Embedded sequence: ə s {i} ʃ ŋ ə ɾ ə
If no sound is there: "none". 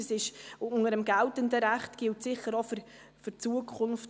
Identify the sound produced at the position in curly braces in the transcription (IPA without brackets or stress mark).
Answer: ɪ